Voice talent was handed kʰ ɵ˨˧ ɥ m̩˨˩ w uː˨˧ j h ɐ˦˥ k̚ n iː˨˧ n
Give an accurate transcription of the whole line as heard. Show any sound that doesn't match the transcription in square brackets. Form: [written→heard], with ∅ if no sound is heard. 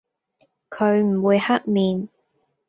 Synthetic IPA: kʰ ɵ˨˧ ɥ m̩˨˩ w uː˨˧ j h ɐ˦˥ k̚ [n→m] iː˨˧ n